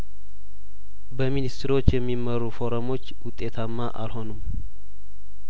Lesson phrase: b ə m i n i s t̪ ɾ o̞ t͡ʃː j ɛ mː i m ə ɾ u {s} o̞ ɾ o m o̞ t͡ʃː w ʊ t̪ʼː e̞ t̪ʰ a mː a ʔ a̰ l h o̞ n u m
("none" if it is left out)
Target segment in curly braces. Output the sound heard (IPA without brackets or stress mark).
f